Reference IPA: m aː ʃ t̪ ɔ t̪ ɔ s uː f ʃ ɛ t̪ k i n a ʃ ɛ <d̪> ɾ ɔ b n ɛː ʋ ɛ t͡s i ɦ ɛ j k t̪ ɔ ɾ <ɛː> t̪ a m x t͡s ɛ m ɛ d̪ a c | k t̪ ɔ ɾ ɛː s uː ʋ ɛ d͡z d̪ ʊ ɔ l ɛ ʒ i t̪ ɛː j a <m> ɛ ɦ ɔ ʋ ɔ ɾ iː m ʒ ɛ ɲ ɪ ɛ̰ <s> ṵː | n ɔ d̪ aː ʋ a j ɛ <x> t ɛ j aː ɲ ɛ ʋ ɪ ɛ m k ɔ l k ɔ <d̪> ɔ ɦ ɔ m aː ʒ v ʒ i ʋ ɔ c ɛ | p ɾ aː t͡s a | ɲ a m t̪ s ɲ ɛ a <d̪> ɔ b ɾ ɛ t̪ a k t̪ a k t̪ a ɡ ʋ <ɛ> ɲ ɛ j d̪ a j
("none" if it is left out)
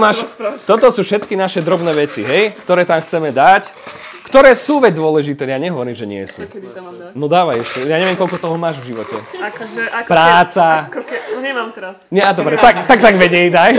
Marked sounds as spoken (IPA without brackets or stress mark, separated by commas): d̪, ɛː, ɲ, s, ʃ, t̪, d̪, ɛ